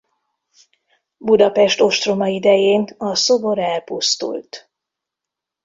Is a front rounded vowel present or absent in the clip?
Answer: absent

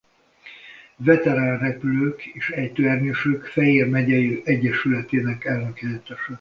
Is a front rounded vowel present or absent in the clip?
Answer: present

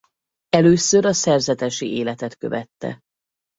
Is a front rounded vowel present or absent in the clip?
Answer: present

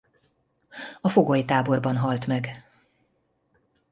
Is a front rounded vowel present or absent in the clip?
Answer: absent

